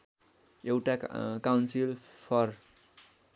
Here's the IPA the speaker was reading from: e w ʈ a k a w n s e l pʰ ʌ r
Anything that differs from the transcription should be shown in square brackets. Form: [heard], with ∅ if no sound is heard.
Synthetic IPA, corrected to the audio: e w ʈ a k a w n s [i] l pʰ ʌ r